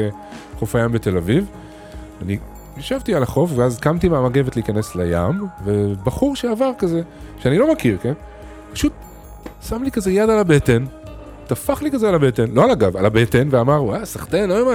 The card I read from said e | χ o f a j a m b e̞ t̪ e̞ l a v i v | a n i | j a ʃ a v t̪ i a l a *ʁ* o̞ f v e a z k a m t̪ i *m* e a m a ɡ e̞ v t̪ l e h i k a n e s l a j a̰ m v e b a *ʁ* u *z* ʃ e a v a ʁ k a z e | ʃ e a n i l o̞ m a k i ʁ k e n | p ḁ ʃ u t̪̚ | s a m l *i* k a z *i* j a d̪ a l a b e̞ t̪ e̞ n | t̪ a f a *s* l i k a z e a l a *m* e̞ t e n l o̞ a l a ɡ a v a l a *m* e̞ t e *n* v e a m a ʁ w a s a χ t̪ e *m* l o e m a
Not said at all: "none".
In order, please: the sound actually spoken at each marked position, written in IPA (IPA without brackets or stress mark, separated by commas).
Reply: χ, m, χ, ʁ, i, e, χ, b, b, n, n